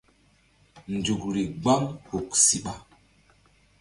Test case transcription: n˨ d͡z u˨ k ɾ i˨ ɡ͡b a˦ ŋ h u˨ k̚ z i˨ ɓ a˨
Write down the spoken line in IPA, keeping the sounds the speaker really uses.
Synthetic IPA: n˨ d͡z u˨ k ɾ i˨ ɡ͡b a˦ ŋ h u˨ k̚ s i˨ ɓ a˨